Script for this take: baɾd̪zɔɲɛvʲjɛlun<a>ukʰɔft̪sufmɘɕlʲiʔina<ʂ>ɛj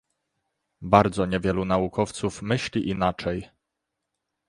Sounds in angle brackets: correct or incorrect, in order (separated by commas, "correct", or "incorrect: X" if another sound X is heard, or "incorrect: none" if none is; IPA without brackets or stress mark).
correct, incorrect: t͡ʂ